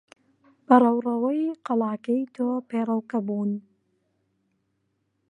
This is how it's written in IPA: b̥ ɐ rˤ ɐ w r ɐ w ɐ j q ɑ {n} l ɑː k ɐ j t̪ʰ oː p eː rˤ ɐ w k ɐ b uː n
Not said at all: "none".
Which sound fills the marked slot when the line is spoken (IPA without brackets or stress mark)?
none